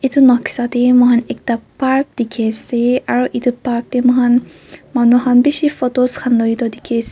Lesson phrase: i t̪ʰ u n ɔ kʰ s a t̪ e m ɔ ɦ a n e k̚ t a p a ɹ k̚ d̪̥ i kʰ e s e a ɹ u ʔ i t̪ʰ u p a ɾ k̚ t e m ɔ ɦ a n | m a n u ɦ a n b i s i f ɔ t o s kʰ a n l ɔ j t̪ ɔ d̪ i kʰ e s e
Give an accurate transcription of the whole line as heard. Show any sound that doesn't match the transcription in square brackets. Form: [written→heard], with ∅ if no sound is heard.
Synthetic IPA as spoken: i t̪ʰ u n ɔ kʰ s a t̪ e m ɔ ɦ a n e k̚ t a p a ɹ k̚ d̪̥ i kʰ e s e a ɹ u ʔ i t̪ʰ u p a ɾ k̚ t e m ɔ ɦ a n | m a n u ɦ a n b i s i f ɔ t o s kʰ a n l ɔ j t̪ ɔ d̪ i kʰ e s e